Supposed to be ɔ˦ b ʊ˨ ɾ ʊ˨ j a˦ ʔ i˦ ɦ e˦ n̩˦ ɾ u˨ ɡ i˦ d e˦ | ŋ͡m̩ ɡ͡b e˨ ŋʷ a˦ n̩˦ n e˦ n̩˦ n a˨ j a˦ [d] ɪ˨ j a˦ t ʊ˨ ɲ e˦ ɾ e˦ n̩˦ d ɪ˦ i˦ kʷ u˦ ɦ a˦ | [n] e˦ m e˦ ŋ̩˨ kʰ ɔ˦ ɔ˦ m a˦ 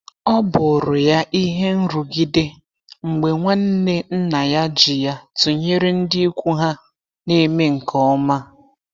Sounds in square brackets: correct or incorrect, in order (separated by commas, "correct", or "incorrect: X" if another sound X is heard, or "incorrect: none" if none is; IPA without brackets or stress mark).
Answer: incorrect: d͡ʒ, correct